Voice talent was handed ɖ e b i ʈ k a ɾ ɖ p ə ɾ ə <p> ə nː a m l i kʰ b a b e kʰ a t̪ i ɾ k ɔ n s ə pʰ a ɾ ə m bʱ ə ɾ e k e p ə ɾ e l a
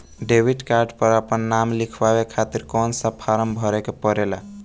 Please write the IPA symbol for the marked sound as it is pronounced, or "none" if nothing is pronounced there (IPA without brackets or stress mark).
p